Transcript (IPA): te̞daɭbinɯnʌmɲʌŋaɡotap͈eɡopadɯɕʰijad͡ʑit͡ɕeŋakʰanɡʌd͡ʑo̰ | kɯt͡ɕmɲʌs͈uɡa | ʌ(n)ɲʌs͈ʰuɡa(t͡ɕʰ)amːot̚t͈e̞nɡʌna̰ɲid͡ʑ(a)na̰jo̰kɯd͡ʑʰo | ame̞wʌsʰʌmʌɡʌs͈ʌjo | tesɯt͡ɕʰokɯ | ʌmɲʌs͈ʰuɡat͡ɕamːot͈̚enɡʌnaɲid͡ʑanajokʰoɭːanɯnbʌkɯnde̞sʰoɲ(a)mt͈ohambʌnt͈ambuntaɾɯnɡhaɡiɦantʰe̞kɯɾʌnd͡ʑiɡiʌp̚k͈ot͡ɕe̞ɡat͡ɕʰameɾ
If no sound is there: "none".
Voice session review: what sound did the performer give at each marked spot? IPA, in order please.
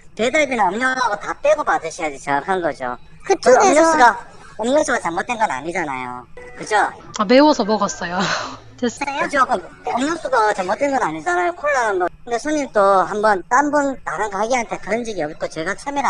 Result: m, t͡ɕ, a, i

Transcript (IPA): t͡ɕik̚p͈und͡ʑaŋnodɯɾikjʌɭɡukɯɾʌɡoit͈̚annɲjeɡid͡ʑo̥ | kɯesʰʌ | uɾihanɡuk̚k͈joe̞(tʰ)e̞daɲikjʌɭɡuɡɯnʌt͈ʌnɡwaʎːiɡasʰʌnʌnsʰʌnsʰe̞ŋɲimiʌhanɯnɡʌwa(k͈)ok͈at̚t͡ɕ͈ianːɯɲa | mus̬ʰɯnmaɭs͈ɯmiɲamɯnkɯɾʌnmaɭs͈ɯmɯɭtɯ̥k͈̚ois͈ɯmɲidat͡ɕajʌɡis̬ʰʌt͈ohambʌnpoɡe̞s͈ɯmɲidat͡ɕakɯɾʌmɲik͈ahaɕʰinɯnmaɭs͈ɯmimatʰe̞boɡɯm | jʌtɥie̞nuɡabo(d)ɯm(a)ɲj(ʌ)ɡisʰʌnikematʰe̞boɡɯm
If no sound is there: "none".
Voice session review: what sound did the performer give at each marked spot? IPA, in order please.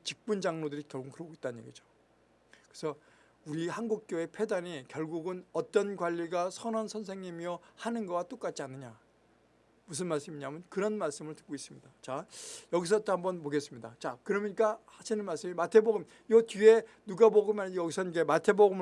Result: pʰ, t͈, ɡ, a, ʌ

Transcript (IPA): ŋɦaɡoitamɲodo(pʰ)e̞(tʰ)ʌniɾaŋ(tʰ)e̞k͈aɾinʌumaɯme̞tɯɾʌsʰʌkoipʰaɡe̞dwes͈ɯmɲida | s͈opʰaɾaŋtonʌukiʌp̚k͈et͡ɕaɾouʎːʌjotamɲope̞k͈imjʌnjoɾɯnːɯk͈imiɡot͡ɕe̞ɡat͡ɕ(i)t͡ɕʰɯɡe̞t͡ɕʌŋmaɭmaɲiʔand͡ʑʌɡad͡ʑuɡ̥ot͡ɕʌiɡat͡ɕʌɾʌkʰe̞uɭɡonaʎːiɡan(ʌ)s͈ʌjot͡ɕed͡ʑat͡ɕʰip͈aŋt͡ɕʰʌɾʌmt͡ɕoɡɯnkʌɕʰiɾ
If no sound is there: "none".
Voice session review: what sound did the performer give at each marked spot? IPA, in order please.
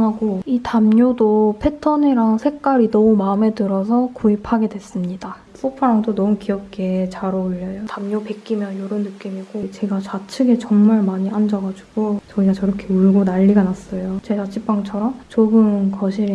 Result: pʰ, tʰ, sʰ, a, a

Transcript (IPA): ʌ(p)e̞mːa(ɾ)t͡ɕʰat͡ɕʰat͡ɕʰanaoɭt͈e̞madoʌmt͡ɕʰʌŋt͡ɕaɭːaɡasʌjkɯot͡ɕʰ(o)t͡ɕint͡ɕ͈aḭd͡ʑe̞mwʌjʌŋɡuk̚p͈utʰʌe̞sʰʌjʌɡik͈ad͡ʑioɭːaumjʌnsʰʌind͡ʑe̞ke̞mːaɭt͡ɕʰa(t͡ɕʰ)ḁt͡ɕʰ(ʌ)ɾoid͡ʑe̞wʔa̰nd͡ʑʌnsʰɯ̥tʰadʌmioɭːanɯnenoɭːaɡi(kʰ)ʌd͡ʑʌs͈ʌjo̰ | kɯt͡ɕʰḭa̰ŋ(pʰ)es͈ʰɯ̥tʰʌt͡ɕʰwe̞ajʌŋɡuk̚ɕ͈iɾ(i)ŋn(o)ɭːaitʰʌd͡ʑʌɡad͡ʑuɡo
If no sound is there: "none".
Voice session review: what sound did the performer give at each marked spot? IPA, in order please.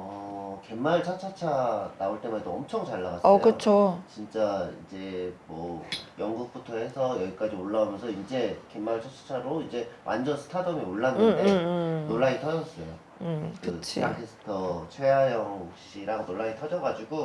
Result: k, ɭ, o, t͡ɕʰ, a, tʰ, kʰ, a, o

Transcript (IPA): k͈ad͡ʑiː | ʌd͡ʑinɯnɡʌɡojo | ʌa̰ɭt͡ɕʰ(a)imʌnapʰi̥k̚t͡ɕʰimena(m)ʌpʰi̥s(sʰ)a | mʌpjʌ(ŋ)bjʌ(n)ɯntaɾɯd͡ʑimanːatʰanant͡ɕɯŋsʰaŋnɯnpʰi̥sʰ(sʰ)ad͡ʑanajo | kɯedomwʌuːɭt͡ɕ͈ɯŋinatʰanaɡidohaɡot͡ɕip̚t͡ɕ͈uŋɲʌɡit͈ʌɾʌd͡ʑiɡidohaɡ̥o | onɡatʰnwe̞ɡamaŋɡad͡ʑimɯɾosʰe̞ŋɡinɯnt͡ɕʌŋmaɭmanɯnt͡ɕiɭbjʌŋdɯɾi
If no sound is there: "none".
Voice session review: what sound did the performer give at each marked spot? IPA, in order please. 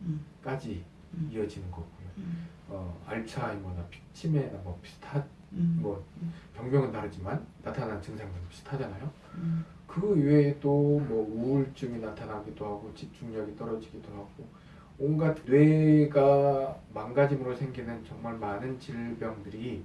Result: a, m, tʰ, ŋ, ŋ, tʰ

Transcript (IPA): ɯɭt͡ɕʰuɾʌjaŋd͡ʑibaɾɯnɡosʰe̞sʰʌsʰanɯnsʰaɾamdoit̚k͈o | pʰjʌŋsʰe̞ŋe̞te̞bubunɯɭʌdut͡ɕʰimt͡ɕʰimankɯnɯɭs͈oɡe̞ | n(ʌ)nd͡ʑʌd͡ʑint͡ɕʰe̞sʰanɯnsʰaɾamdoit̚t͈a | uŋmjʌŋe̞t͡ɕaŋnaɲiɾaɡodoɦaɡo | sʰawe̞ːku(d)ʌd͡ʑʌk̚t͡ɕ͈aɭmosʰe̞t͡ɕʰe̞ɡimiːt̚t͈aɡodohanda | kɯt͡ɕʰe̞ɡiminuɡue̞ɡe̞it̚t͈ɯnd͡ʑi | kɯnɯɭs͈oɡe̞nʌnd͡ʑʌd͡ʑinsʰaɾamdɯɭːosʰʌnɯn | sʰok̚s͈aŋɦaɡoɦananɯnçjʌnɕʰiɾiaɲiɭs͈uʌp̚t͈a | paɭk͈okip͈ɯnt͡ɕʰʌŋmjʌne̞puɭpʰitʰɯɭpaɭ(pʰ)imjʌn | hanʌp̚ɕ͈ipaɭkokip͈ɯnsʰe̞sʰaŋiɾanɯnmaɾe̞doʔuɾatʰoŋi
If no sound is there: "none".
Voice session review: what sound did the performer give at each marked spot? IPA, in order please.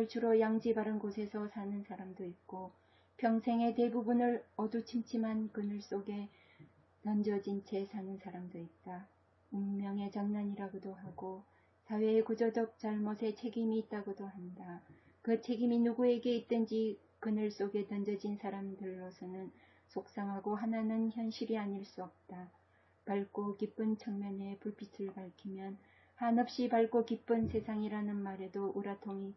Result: ʌ, d͡ʑ, kʰ

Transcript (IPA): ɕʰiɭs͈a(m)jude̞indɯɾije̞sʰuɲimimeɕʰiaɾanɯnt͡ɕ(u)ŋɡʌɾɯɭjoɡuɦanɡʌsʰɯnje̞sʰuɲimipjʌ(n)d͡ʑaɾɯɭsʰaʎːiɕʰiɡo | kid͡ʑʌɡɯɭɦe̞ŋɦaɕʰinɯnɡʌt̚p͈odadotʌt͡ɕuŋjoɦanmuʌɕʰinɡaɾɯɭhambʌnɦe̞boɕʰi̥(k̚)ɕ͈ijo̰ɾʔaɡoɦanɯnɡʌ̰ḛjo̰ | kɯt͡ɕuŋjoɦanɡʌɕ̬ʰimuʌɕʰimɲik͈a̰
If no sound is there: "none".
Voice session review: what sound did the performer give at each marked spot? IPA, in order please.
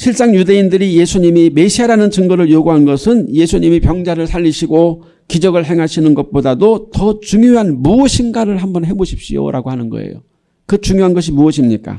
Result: ŋ, ɯ, ŋ, p̚

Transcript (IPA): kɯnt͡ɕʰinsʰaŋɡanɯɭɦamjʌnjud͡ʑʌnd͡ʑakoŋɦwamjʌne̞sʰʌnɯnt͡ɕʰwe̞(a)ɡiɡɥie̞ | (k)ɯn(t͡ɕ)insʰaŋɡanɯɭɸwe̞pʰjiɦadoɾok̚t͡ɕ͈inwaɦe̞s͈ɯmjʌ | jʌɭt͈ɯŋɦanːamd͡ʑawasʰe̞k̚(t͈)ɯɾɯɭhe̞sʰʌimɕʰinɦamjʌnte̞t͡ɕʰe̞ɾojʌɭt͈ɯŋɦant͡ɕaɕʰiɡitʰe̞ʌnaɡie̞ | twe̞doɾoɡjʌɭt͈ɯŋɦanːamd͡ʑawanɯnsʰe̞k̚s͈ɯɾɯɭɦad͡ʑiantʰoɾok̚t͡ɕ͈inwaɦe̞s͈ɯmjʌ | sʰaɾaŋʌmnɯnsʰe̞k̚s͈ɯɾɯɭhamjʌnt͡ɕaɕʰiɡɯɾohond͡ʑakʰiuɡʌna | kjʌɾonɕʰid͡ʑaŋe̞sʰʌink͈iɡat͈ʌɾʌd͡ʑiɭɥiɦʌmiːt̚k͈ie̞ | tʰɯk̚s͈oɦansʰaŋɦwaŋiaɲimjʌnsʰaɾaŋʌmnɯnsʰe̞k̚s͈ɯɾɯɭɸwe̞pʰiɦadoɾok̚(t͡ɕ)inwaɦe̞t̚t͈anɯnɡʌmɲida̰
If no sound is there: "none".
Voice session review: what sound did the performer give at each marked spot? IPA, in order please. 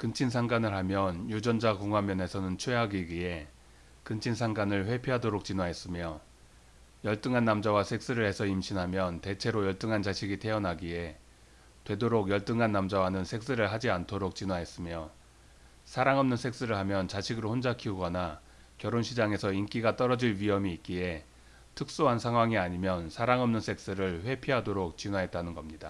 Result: a, k, t͡ɕʰ, s͈, t͡ɕ

